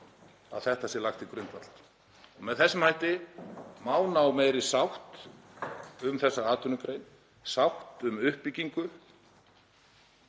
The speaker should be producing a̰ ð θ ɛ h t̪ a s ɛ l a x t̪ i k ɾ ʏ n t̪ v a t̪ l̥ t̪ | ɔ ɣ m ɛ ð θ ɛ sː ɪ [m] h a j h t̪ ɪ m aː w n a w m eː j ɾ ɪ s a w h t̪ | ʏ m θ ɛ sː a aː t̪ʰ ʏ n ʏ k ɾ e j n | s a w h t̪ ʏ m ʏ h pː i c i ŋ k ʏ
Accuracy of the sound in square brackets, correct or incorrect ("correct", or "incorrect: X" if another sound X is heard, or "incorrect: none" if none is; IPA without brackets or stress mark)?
correct